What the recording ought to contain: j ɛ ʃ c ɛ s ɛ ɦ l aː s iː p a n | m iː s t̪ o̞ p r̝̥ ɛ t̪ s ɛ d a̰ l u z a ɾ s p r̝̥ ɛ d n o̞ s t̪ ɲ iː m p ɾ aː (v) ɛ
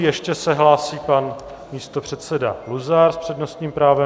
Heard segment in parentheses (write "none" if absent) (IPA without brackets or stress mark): v